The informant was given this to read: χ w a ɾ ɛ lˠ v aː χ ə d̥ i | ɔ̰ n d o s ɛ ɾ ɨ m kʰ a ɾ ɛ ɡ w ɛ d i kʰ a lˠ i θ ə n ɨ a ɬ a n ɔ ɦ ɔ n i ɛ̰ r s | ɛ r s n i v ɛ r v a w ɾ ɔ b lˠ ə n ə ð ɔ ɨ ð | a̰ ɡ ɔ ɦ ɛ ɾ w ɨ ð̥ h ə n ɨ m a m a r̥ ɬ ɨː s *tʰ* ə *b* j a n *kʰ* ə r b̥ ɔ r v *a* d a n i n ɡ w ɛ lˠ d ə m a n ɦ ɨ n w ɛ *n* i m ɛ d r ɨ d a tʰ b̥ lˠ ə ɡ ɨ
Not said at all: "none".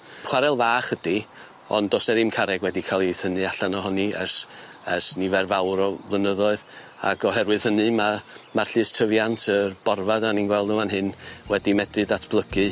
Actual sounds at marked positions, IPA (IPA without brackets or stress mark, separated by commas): tʰ, v, tʰ, a, d